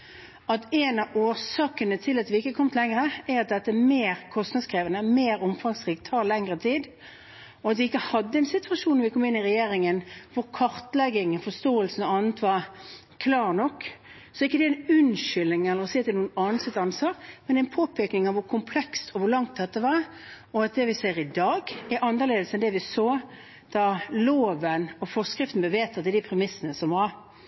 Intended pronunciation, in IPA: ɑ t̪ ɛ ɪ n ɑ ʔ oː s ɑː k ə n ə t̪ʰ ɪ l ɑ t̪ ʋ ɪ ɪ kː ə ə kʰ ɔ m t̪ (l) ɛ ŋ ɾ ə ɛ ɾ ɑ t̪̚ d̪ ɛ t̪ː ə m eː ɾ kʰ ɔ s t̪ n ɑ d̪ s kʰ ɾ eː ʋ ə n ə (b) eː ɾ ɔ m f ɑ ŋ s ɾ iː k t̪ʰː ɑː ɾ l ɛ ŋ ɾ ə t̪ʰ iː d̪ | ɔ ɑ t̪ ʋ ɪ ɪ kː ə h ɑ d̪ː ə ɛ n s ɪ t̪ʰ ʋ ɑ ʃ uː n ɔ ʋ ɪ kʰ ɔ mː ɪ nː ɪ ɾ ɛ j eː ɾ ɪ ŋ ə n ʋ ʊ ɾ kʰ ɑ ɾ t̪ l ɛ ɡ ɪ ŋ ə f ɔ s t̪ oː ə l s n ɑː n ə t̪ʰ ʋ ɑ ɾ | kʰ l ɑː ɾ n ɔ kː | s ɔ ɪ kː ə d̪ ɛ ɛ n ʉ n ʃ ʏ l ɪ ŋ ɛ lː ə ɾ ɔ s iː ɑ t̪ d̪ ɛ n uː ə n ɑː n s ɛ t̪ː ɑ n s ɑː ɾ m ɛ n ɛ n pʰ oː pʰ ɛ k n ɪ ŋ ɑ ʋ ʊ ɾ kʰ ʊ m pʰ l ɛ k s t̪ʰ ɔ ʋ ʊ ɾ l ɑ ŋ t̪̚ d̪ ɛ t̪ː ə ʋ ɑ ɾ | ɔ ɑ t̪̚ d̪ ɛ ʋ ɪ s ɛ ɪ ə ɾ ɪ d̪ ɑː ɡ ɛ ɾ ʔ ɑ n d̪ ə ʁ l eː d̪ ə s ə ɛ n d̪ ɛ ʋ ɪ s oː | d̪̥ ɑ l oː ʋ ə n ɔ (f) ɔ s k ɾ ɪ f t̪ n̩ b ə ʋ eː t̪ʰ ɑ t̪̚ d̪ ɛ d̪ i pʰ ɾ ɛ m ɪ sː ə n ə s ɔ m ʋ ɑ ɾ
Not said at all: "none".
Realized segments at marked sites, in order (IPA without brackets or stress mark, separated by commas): l, m, f